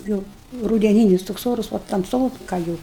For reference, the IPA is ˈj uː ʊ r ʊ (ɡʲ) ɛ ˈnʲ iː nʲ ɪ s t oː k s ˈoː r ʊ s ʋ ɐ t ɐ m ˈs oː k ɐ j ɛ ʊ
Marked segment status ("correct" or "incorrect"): incorrect